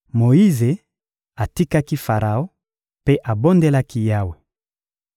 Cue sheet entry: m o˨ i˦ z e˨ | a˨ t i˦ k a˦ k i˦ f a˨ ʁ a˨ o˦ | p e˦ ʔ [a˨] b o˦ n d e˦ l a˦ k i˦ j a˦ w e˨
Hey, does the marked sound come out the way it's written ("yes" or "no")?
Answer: yes